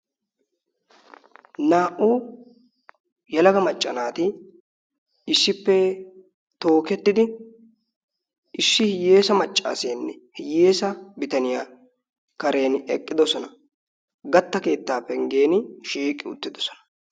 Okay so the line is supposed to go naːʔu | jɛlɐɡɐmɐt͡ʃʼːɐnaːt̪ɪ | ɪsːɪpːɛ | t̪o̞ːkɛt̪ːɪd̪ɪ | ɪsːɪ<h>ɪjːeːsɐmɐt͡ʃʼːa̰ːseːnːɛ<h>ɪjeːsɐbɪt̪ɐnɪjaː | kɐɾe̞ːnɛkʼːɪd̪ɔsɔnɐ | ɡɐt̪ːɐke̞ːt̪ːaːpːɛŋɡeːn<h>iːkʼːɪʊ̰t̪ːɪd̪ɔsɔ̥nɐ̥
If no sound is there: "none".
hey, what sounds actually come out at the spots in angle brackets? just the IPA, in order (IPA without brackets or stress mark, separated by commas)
h, h, ʃ